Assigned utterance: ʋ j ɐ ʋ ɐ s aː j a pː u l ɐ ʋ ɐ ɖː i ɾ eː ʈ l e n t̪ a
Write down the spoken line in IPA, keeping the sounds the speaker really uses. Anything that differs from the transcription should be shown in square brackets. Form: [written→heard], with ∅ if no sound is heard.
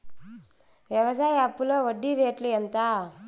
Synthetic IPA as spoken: ʋ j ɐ ʋ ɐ s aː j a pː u l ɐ ʋ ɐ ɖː i ɾ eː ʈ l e n t̪ a